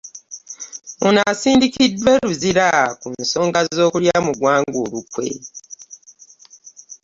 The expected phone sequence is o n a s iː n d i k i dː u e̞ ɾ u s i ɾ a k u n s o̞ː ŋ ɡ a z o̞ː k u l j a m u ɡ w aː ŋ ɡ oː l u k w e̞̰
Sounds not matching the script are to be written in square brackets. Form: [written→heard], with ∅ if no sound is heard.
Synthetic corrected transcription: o n a s iː n d i k i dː [u→w] e̞ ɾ u [s→z] i ɾ a k u n s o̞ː ŋ ɡ a z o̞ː k u l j a m u ɡ w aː ŋ ɡ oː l u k w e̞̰